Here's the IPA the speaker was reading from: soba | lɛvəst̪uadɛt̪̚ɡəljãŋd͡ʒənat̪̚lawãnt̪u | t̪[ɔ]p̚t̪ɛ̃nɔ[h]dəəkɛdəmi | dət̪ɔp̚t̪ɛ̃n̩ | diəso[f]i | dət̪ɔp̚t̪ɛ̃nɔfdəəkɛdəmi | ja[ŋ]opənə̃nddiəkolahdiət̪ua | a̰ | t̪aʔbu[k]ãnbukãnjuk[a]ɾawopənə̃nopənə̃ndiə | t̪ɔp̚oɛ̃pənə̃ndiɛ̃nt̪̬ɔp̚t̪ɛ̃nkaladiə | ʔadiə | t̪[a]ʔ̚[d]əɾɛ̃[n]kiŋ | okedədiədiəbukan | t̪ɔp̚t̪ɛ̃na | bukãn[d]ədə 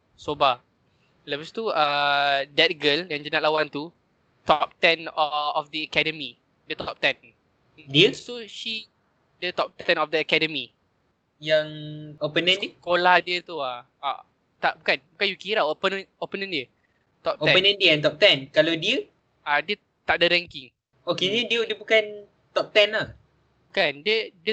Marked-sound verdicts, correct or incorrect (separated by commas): correct, incorrect, incorrect, correct, correct, incorrect, correct, correct, incorrect, correct